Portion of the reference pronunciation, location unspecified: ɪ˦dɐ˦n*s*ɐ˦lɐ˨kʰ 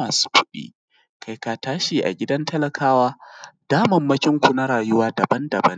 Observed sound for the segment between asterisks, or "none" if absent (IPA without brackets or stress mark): t